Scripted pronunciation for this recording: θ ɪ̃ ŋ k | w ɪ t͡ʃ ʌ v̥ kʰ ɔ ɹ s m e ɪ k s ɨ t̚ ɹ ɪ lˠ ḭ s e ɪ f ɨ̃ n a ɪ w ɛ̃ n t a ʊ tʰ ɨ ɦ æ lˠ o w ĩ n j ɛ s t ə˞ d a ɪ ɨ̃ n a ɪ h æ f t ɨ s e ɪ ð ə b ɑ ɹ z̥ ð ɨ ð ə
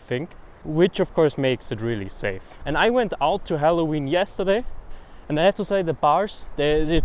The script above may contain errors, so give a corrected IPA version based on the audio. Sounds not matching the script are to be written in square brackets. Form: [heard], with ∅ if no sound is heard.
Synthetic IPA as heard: θ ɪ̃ ŋ k | w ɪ t͡ʃ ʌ v̥ kʰ ɔ ɹ s m e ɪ k s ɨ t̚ ɹ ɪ lˠ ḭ s e ɪ f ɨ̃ n a ɪ w ɛ̃ n t a ʊ tʰ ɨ ɦ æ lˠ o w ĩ n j ɛ s t ə˞ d [e] ɪ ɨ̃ n a ɪ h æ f t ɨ s e ɪ ð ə b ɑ ɹ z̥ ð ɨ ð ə